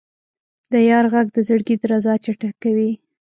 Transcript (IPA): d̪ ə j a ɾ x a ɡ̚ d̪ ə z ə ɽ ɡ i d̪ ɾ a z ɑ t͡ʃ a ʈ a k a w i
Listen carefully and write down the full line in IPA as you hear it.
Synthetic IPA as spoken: d̪ ə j ɑ ɾ ɣ a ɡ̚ d̪ ə z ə ɽ ɡ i d̪ ɾ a z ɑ t͡ʃ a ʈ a k a w i